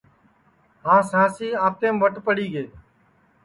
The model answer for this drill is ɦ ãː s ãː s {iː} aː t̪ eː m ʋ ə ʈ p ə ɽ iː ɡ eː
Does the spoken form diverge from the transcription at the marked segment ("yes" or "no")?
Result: no